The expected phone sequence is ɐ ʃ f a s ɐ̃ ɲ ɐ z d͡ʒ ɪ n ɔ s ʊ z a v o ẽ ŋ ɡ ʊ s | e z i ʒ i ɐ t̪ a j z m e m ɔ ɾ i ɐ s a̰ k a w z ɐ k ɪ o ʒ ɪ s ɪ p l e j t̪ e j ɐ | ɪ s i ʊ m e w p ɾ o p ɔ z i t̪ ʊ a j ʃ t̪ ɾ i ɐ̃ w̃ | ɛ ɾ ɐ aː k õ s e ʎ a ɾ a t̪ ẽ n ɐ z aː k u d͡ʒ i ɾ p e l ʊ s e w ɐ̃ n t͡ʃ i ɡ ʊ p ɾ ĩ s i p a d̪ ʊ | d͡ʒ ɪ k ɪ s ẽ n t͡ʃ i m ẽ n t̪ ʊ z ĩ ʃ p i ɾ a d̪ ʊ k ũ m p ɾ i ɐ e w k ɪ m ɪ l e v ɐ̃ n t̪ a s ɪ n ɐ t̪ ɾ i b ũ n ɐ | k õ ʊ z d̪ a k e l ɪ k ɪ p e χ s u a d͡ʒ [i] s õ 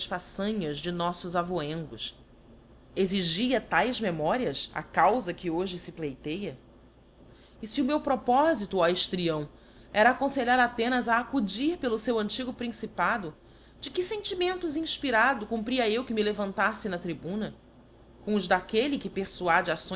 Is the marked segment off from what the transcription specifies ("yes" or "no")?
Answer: yes